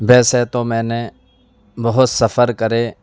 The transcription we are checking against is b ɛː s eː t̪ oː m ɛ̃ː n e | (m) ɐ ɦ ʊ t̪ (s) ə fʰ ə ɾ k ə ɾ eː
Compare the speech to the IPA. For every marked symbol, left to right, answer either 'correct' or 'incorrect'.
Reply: incorrect, correct

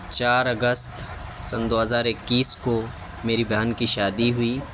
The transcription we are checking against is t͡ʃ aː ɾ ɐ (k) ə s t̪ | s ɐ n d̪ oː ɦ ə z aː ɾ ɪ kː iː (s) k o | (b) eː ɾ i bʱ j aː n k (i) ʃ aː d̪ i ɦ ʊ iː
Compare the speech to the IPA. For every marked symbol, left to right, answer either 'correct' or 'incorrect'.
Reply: incorrect, correct, incorrect, correct

